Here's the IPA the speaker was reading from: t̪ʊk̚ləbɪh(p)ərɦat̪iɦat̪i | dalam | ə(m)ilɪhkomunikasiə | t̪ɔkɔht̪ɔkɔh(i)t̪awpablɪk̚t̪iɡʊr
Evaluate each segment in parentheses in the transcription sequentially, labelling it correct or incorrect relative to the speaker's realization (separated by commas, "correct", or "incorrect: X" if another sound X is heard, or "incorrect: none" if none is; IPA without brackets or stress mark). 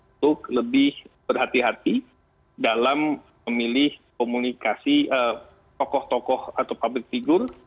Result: incorrect: b, correct, incorrect: a